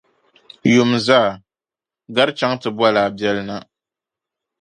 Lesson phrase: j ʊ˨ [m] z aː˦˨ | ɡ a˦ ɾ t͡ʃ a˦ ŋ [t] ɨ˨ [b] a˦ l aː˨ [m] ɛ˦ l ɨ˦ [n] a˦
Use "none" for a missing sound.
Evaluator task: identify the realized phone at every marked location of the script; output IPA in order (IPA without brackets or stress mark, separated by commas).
m, t, b, b, n